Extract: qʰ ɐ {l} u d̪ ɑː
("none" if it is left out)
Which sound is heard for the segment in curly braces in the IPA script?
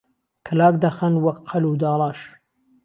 l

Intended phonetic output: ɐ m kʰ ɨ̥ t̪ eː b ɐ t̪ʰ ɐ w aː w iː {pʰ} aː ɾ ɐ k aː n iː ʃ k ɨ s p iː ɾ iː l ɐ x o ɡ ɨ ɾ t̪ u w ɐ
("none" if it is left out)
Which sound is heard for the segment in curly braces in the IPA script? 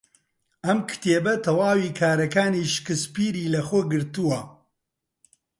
kʰ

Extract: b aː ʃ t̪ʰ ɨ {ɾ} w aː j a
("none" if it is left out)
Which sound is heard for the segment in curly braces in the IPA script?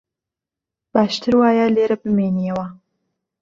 ɾ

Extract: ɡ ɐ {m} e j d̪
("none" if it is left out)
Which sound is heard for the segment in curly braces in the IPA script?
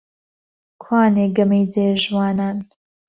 m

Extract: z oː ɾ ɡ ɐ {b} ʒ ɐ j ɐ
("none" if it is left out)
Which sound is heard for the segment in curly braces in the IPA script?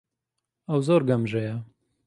m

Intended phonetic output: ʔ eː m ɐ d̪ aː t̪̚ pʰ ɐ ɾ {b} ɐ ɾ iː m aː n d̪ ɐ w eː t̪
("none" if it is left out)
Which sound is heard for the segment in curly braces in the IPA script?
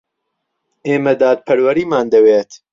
w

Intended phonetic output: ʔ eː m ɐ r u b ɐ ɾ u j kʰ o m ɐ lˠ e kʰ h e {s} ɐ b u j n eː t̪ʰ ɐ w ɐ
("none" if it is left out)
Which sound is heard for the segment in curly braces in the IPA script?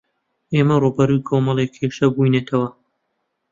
ʃ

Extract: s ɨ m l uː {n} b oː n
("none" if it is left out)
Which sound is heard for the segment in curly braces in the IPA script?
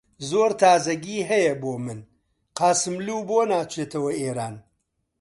none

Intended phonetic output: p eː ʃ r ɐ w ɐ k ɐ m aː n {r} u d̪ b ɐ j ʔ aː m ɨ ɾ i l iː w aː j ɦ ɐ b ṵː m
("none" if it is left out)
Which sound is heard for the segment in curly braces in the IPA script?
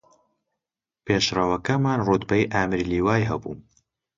r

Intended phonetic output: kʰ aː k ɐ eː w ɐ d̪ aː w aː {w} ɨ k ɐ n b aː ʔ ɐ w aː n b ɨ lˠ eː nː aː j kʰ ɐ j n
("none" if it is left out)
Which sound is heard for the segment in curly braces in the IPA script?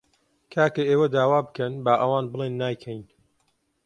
b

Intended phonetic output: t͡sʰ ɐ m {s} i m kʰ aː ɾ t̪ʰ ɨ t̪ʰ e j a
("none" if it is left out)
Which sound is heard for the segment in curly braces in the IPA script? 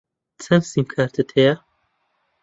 s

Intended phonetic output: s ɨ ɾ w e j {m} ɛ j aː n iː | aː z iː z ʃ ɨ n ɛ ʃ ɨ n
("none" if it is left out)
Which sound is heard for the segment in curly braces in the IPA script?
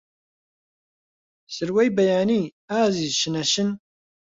b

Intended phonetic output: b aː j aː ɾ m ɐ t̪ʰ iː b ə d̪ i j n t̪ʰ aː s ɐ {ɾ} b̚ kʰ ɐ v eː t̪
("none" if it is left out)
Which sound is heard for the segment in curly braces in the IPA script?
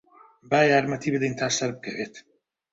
ɾ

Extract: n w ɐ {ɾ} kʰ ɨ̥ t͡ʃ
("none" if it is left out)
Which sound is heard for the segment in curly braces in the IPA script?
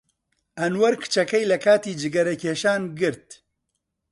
ɾ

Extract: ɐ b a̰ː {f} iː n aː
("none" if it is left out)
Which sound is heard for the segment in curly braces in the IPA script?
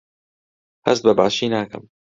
ʃ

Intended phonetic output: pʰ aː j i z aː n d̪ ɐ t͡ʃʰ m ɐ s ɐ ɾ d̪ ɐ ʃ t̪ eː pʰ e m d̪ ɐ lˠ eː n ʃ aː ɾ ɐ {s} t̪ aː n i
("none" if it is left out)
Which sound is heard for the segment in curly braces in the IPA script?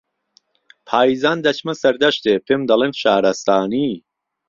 s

